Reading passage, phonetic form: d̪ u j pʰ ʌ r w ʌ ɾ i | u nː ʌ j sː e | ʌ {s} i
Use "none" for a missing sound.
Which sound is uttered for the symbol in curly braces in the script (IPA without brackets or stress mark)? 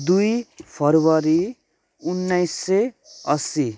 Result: s